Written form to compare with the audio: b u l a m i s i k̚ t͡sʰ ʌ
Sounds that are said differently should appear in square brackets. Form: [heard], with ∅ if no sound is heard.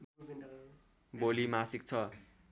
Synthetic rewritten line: b [o] l [i] m [a] s i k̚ t͡sʰ ʌ